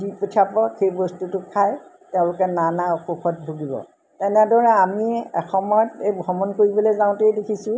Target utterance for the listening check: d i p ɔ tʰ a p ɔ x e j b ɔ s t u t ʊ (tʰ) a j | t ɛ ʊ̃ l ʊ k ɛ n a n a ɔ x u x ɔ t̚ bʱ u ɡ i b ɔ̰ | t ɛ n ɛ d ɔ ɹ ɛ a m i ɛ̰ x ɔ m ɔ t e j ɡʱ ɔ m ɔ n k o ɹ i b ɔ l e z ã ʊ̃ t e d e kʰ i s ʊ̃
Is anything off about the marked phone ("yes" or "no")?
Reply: yes